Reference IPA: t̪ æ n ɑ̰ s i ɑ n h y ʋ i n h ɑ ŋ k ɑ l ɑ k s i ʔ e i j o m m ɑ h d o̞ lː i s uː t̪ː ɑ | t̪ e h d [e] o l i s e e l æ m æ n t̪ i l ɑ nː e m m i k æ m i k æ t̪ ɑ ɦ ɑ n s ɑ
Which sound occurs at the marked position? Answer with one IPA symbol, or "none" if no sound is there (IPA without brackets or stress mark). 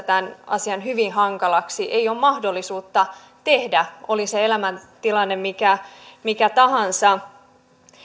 æ